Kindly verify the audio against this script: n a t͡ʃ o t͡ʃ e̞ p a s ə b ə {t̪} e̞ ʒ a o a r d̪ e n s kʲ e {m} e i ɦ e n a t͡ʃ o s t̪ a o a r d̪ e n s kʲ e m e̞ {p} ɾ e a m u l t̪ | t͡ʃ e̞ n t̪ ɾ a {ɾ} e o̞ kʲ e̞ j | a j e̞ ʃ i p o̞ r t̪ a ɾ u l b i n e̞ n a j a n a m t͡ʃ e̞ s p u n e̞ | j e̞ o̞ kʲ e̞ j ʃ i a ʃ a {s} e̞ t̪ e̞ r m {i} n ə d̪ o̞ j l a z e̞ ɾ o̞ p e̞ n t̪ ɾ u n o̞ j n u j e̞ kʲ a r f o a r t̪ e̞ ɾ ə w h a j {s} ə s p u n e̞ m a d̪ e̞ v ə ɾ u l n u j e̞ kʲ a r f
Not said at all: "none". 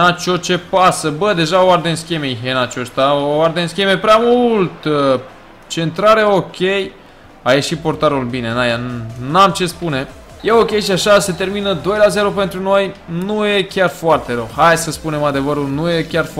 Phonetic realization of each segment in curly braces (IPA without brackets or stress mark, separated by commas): d̪, m, p, ɾ, s, i, s